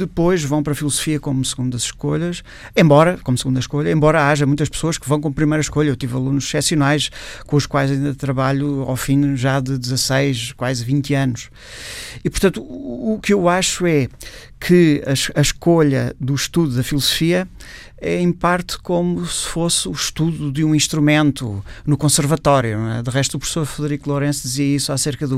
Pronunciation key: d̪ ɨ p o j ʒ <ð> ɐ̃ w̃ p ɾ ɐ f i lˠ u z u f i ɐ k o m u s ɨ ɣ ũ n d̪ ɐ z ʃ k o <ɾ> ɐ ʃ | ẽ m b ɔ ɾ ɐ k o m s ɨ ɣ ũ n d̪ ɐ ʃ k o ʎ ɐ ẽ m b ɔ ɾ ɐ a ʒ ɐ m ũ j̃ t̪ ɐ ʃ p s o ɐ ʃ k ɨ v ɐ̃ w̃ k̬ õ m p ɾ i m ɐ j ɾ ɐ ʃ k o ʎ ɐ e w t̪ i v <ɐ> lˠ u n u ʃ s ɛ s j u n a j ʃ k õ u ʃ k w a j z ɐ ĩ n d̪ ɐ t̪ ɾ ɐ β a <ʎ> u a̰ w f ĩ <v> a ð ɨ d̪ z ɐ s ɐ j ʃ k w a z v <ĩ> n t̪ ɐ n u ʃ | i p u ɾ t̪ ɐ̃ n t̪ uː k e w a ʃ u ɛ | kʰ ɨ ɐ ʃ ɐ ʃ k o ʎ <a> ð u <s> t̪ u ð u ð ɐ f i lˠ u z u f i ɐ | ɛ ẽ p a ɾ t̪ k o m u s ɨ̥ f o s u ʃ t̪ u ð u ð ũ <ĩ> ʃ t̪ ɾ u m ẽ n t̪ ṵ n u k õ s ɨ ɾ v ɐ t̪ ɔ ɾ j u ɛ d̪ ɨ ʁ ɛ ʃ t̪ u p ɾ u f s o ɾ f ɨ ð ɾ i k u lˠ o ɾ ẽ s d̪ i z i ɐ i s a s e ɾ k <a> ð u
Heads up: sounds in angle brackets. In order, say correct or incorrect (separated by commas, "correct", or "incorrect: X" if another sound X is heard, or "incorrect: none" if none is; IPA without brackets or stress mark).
incorrect: v, incorrect: ʎ, correct, correct, incorrect: ʒ, correct, incorrect: ɐ, incorrect: ʃ, correct, incorrect: ɐ